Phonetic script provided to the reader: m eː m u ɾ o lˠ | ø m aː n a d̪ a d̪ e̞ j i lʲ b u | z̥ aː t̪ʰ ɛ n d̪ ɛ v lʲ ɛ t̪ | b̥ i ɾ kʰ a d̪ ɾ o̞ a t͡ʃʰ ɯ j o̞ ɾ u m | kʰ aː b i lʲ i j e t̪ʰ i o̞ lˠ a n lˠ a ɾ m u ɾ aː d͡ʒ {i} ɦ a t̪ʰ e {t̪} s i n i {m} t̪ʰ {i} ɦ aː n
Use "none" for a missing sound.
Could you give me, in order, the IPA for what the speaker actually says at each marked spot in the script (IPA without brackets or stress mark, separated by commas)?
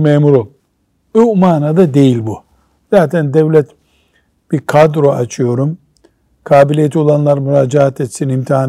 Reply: a, t̪, m, i